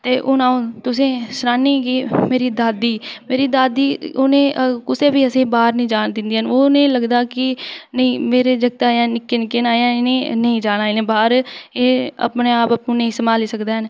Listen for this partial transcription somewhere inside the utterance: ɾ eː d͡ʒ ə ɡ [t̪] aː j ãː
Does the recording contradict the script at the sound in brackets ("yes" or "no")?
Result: no